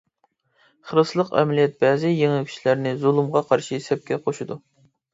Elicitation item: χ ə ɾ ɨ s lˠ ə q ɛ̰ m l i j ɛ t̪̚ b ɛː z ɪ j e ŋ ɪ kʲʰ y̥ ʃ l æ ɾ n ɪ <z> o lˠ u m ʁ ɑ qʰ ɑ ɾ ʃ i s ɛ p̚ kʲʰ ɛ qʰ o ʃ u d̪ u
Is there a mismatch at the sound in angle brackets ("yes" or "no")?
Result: no